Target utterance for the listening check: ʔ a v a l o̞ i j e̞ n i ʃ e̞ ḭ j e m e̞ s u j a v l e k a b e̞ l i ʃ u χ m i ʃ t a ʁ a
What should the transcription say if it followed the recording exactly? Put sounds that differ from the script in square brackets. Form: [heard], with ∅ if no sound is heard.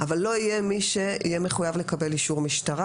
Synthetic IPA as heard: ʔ a v a [lː] o̞ i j e̞ [m] i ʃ e̞ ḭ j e m e̞ [χ] u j a v l e k a b e̞ l i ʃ u [ʁ] m i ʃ t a ʁ a